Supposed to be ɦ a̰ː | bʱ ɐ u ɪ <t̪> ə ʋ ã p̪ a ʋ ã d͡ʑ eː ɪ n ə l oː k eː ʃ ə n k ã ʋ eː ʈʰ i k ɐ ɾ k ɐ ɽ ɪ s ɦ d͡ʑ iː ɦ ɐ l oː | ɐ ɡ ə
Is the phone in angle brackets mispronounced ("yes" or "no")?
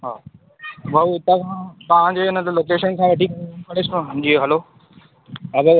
no